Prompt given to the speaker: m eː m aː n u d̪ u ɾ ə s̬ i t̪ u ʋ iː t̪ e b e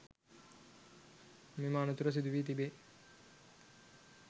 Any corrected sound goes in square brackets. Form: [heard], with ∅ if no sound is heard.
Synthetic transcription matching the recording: m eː m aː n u [t̪] u ɾ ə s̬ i [d̪] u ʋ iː t̪ [i] b e